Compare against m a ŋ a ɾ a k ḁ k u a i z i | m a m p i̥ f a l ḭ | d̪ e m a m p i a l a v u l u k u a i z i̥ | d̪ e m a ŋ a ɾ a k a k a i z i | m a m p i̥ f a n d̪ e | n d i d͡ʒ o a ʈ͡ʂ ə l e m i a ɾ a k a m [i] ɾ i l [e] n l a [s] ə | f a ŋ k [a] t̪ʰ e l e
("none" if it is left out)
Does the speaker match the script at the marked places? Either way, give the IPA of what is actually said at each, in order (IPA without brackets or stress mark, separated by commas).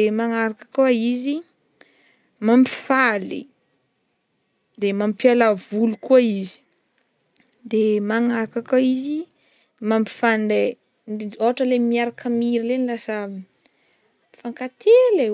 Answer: i, e, s, a